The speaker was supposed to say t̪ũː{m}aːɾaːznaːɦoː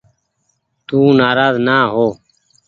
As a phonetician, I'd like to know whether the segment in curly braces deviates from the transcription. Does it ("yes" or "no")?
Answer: yes